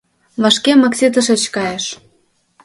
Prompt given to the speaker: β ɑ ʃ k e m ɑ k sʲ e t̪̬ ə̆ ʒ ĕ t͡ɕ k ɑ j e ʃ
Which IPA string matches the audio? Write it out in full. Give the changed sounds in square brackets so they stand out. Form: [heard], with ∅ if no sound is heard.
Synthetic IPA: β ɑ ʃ k e m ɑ k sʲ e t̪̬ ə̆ [ʃ] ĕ t͡ɕ k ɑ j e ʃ